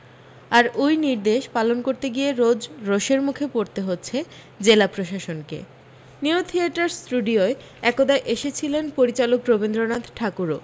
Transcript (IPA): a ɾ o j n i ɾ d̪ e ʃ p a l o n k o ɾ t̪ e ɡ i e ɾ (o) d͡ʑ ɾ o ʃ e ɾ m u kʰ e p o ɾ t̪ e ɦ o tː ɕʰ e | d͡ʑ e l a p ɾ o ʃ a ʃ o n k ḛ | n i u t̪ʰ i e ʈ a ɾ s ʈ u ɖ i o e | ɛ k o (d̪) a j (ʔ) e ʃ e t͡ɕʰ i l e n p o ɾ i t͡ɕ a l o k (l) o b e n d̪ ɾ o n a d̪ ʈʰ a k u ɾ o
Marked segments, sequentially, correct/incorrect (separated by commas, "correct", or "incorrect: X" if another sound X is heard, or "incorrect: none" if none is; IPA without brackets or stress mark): correct, correct, correct, incorrect: ɾ